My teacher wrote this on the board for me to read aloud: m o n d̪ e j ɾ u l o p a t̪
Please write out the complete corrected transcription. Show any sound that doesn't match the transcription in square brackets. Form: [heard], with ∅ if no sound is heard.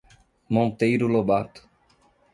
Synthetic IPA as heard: m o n [t̪] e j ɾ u l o [b] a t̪